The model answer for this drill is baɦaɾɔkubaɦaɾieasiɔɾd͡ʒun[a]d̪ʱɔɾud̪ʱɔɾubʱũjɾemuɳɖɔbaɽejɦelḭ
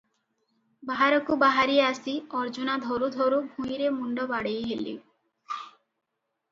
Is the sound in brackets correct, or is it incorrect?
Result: correct